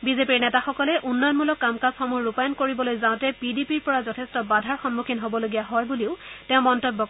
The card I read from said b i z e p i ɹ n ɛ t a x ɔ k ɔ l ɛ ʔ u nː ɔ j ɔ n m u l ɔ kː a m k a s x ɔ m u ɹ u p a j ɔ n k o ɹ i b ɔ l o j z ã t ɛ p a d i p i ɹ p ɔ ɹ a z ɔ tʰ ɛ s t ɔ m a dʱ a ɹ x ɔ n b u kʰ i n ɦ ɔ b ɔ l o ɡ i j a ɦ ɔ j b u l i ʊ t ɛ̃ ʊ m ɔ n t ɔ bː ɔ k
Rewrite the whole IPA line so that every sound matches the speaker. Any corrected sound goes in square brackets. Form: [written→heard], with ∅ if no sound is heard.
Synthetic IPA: b i z e p i ɹ n ɛ t a x ɔ k ɔ l ɛ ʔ u nː ɔ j ɔ n m u l ɔ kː a m k a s x ɔ m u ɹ u p a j ɔ n k o ɹ i b ɔ l o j z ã t ɛ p [a→i] d i p i ɹ p ɔ ɹ a z ɔ tʰ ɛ s t ɔ [m→b] a dʱ a ɹ x ɔ n [b→m] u kʰ i n ɦ [ɔ→o] b ɔ l o ɡ i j a ɦ ɔ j b u l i ʊ t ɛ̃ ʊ m ɔ n t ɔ bː ɔ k